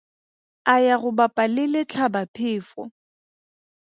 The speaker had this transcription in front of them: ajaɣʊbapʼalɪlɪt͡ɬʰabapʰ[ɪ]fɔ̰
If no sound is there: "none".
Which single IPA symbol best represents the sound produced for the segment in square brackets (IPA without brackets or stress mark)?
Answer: ɪː